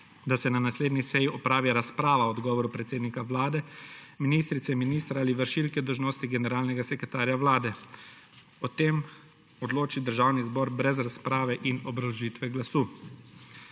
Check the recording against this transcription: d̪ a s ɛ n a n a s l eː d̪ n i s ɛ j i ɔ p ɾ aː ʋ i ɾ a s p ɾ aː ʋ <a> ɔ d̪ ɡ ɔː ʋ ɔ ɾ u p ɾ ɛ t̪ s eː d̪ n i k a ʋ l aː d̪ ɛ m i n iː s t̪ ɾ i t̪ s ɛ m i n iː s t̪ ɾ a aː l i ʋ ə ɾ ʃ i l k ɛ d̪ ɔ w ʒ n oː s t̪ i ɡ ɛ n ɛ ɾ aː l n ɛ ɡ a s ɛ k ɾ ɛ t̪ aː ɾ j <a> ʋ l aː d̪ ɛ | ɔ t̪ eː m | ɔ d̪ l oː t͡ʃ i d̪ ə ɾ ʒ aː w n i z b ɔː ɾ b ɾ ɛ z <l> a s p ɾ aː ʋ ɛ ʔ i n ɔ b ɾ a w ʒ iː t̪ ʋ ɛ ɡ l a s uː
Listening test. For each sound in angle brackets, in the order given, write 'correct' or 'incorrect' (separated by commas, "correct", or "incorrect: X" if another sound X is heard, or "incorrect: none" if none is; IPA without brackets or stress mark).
correct, correct, incorrect: ɾ